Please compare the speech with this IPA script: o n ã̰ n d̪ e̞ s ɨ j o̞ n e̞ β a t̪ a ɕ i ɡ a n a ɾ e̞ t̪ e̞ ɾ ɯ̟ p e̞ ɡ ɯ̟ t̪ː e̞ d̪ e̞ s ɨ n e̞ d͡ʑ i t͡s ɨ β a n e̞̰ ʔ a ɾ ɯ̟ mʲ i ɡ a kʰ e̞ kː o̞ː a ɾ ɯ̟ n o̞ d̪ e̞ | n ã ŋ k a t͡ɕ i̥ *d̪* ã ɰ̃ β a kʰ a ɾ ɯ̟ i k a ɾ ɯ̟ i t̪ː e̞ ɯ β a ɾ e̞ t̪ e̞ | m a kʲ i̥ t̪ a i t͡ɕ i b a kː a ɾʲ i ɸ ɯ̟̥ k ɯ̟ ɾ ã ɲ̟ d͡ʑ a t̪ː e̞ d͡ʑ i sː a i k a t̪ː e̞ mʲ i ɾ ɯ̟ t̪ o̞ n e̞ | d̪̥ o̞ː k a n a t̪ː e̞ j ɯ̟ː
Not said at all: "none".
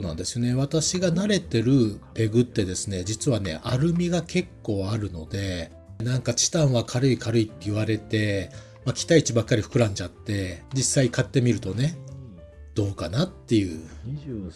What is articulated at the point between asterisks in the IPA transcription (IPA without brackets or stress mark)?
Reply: t̪